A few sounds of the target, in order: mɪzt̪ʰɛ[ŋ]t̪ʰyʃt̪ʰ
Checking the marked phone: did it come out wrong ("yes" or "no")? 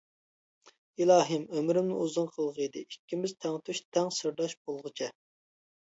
no